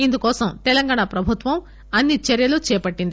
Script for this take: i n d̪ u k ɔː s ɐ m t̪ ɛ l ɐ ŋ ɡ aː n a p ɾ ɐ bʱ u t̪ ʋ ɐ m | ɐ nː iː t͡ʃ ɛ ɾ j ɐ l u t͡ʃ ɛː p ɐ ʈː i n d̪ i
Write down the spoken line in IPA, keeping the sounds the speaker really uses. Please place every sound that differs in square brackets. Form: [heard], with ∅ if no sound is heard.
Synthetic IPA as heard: i n d̪ u k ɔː s ɐ m t̪ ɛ l ɐ ŋ ɡ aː [ɳ] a p ɾ ɐ bʱ u t̪ ʋ ɐ m | ɐ nː [i] t͡ʃ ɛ ɾ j ɐ l u t͡ʃ ɛː p ɐ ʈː i n d̪ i